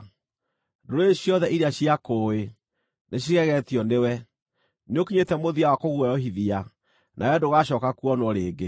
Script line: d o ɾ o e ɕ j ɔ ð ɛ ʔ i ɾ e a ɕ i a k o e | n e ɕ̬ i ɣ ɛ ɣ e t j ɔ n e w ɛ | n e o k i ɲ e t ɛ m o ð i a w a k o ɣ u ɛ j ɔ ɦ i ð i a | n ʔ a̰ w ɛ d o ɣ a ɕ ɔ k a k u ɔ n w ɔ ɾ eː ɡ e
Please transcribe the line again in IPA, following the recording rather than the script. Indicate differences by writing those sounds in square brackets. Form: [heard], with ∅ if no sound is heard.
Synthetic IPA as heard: d o ɾ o e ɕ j ɔ ð ɛ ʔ i ɾ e a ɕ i a k o e | n e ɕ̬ i ɣ ɛ ɣ [ɛ] t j ɔ n e w ɛ | n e o k i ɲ e t ɛ m o ð i a w a k o ɣ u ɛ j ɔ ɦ i ð i a | n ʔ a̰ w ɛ d o ɣ a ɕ ɔ k a k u ɔ n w ɔ ɾ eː ɡ e